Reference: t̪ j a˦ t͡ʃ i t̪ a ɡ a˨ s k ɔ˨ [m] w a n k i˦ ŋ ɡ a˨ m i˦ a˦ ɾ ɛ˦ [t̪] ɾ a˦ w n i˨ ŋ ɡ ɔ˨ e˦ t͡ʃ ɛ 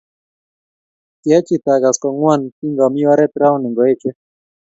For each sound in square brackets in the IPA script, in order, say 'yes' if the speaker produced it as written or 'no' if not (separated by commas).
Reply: no, yes